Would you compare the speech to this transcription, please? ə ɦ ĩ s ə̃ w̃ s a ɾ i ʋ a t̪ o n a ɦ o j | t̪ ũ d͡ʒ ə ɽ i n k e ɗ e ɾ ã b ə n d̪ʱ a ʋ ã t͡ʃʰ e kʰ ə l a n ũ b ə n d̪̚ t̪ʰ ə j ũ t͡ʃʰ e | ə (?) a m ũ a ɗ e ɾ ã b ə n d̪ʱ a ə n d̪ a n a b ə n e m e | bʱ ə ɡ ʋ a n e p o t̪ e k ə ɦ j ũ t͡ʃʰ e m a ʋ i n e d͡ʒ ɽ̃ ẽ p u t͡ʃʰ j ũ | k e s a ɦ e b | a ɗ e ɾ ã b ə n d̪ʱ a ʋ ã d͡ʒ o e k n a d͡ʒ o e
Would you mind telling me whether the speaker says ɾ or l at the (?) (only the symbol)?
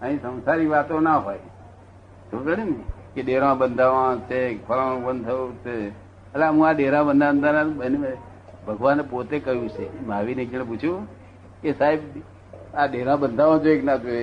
l